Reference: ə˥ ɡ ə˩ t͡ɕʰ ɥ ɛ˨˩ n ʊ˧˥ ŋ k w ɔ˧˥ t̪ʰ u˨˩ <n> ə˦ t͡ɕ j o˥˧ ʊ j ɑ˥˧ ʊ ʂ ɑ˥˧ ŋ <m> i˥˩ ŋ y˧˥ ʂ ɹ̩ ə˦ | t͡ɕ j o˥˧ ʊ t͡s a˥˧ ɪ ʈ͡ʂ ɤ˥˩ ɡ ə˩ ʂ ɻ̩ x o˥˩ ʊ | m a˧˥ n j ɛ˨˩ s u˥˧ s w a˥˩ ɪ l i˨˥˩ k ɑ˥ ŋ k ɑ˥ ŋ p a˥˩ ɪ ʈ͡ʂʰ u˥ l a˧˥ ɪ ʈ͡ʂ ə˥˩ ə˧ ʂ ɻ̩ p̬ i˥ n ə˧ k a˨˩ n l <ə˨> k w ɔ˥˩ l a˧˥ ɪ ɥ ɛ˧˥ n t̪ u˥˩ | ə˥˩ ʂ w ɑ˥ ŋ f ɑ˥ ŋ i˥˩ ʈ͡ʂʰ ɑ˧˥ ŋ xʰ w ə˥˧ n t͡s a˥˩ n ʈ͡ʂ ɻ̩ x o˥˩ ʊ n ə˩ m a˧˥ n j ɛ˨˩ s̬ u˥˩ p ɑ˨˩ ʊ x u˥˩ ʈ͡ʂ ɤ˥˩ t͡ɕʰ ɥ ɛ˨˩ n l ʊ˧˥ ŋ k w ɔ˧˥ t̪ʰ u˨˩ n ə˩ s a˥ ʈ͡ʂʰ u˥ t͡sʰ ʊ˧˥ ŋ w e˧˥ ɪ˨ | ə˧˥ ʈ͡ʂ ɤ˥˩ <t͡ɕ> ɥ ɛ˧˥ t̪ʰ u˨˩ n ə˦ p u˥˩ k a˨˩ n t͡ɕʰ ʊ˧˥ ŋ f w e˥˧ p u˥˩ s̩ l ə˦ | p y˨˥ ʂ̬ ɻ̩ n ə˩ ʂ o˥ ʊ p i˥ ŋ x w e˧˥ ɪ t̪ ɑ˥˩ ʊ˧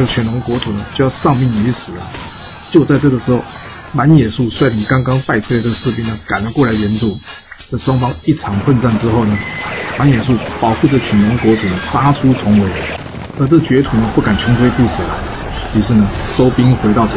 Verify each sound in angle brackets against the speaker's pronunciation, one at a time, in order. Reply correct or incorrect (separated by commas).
correct, correct, incorrect, correct